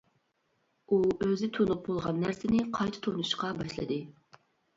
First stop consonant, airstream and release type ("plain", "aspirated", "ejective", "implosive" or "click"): aspirated